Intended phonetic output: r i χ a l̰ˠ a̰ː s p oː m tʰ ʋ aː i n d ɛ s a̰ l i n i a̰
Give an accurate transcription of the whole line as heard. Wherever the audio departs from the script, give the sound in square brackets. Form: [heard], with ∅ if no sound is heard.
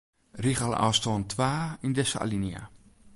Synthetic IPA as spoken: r i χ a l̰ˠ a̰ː s [t] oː [n] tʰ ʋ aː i n d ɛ s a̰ l i n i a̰